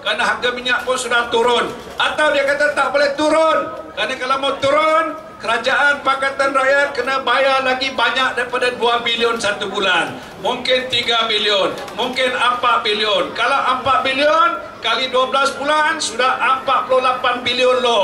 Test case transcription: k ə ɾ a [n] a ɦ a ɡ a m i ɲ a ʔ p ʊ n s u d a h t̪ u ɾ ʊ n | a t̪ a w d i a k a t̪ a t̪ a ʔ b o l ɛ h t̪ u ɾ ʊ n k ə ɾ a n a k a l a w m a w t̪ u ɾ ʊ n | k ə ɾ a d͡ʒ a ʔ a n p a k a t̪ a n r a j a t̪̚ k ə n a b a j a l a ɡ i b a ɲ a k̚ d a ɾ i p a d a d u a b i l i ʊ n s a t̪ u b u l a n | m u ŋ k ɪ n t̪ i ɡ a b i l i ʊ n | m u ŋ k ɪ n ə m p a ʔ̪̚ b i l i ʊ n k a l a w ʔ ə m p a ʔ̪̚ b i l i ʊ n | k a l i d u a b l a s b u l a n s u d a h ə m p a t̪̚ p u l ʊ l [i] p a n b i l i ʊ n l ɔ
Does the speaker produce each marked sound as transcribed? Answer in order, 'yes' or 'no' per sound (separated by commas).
yes, no